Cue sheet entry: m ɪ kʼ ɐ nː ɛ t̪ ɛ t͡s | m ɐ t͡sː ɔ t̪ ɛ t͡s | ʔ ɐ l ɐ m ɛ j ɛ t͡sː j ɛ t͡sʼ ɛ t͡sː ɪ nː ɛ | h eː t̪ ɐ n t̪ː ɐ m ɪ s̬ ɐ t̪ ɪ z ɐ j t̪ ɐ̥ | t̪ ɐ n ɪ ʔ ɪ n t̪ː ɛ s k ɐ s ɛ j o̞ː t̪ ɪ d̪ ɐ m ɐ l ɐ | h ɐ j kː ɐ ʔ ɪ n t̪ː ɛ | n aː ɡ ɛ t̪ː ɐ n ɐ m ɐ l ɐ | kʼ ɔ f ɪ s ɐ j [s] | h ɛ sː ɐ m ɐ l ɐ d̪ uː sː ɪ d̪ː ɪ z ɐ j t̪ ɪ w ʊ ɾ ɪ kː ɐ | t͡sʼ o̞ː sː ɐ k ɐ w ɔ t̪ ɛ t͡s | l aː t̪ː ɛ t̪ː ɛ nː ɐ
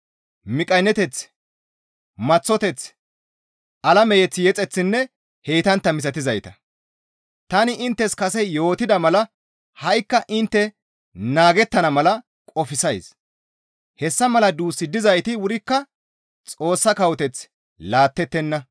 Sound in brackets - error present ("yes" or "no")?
no